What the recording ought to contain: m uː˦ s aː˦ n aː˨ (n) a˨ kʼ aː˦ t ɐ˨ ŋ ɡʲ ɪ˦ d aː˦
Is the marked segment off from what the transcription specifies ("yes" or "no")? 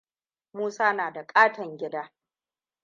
yes